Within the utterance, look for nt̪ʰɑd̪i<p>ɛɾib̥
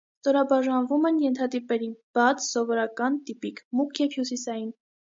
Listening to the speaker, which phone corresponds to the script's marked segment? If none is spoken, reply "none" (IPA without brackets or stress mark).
p